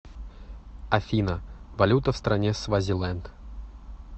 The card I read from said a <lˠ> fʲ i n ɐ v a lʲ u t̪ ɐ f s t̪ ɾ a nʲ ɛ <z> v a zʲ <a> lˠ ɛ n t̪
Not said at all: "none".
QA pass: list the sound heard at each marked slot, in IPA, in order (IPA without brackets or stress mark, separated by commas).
none, s, i